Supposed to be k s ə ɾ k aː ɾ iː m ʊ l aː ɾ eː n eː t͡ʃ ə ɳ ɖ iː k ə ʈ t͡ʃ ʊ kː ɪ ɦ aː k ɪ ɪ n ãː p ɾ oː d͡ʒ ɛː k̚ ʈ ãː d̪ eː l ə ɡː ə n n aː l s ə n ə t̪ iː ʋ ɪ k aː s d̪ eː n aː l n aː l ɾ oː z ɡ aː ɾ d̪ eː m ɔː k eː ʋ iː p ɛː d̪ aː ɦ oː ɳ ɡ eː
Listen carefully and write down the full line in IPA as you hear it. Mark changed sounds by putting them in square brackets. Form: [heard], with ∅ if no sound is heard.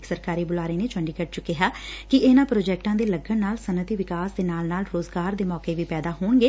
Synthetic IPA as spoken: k s ə ɾ k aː ɾ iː [b] ʊ l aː ɾ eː n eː t͡ʃ ə ɳ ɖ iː k ə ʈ t͡ʃ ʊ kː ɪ ɦ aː k ɪ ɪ n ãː p ɾ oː d͡ʒ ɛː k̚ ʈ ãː d̪ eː l ə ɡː ə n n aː l s ə n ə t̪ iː ʋ ɪ k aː s d̪ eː n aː l n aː l ɾ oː z ɡ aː ɾ d̪ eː m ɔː k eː ʋ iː p ɛː d̪ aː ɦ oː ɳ ɡ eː